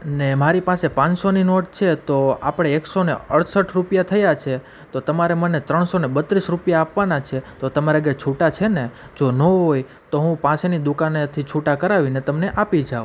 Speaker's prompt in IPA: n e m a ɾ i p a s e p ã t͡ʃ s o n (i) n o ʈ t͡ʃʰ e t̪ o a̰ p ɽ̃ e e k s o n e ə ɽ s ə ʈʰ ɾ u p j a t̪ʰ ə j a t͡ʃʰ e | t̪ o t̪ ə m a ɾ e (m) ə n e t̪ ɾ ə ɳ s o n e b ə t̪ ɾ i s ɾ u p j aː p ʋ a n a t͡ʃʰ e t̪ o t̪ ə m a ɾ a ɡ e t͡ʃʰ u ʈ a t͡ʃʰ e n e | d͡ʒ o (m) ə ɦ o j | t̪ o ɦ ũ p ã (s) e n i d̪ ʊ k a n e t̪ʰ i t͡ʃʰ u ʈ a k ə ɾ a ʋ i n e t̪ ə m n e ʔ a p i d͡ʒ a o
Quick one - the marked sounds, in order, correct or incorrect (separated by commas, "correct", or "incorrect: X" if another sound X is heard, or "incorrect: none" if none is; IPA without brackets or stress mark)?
correct, correct, incorrect: n, correct